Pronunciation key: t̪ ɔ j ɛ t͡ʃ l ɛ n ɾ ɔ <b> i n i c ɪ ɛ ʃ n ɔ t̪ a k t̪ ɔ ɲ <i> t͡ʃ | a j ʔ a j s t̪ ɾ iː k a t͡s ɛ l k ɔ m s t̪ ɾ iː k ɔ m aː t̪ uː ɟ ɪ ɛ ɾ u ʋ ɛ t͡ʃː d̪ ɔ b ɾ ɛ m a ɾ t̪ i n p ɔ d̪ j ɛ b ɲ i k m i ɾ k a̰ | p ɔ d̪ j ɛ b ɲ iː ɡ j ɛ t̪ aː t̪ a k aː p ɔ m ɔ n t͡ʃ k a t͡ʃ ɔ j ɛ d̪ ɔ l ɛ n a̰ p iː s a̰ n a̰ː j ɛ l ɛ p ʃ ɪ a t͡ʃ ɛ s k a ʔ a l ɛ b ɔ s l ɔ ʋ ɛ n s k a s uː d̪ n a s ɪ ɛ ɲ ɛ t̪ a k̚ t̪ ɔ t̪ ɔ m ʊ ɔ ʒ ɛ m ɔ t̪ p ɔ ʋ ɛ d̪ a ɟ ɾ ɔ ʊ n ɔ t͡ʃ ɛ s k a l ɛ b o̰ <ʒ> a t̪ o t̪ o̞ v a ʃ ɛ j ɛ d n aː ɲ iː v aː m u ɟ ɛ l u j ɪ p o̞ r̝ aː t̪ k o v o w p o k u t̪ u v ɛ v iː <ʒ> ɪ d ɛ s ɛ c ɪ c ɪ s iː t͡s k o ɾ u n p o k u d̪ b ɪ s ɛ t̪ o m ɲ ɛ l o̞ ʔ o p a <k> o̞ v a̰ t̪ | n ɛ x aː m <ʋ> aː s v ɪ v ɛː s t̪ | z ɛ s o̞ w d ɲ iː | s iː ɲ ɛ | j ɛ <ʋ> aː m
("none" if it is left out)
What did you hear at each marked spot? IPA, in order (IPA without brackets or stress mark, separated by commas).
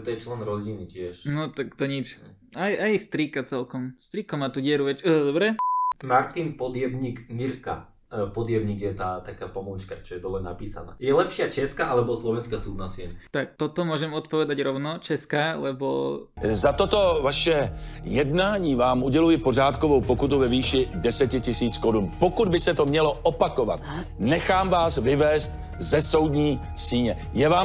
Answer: ɟ, i, z, ʃ, k, v, v